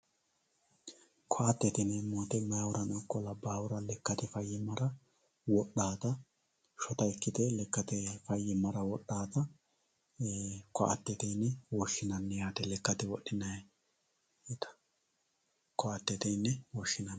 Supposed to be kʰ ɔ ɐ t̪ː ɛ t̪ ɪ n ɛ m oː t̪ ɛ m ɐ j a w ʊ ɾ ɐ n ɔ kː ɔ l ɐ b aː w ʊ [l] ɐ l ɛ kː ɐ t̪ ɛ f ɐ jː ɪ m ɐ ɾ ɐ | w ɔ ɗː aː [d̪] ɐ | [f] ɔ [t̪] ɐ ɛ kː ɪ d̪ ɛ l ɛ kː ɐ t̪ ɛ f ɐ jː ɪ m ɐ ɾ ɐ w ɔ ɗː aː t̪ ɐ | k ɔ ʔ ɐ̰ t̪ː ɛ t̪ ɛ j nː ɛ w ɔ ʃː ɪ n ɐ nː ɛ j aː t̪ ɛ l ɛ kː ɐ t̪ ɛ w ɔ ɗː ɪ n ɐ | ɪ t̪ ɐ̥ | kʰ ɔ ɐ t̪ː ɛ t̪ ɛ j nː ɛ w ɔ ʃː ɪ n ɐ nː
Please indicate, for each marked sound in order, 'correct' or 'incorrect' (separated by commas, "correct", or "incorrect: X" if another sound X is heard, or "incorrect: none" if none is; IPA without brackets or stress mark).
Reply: incorrect: ɾ, incorrect: t̪, incorrect: ʃ, correct